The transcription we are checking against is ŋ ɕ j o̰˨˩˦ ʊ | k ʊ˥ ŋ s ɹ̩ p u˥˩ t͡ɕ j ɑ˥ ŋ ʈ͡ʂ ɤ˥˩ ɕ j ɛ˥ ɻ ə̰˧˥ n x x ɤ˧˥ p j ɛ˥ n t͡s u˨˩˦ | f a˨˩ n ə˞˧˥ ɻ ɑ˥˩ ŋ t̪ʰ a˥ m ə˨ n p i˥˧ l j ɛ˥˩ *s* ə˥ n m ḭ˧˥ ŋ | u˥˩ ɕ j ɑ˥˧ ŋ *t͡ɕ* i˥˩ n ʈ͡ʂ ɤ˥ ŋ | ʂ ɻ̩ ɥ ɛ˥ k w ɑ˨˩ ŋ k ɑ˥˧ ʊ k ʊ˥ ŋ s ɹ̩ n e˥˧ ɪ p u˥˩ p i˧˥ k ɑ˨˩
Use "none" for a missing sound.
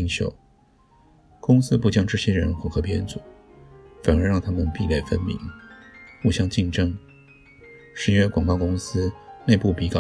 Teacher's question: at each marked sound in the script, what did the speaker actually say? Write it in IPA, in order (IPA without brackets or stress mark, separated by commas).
f, t͡ɕ